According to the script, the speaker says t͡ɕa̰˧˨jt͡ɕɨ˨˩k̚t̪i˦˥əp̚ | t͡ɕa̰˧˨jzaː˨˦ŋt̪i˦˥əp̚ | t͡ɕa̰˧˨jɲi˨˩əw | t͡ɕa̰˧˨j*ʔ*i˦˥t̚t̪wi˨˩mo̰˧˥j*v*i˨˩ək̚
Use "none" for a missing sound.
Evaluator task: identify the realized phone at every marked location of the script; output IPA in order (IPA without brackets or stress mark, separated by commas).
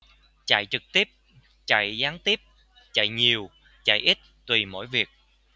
ʔ, v